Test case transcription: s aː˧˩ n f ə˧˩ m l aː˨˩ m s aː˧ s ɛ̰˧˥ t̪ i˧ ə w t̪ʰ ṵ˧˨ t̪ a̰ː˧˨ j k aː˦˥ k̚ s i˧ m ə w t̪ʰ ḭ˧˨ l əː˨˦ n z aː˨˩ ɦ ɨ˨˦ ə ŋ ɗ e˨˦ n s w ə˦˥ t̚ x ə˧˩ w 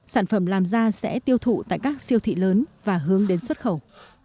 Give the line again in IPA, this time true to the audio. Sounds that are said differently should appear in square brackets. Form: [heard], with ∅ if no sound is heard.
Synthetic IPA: s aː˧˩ n f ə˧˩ m l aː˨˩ m [z] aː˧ s ɛ̰˧˥ t̪ i˧ ə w t̪ʰ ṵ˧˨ t̪ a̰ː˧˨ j k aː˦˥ k̚ s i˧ [∅] ə w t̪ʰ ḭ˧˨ l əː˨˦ n [v] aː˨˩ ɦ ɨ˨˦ ə ŋ ɗ e˨˦ n s w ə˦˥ t̚ x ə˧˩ w